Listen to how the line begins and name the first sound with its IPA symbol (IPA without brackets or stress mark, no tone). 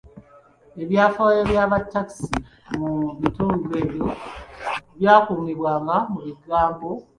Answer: e̞